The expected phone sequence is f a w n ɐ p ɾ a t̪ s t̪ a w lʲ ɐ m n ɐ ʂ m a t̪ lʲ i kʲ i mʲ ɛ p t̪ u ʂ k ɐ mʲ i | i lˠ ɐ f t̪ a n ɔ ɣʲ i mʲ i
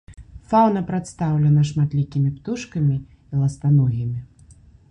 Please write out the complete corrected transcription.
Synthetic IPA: f a w n ɐ p ɾ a t̪ s t̪ a w lʲ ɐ n ɐ ʂ m a t̪ lʲ i kʲ i mʲ i p t̪ u ʂ k ɐ mʲ i | i lˠ ɐ s t̪ a n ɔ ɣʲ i mʲ i